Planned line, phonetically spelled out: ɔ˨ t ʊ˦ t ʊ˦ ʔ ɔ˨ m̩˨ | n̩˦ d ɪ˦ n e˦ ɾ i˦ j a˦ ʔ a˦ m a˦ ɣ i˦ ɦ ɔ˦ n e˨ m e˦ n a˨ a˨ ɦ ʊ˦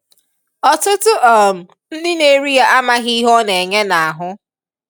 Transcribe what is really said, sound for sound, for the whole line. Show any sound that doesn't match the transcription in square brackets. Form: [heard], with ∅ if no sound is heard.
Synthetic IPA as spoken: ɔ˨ t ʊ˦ t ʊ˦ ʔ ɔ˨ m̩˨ | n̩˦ d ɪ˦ n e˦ ɾ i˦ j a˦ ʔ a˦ m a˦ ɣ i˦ ɦ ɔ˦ n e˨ [ɲ] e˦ n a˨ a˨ ɦ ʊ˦